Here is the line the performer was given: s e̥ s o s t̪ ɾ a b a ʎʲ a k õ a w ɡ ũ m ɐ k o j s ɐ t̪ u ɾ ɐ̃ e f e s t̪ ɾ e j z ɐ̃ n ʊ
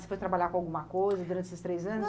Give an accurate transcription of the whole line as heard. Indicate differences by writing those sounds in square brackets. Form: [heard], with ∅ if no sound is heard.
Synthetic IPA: s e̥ [f] o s t̪ ɾ a b a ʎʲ a k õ a w ɡ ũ m ɐ k o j [z] ɐ [d̪] u ɾ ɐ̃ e [s] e s t̪ ɾ e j z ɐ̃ n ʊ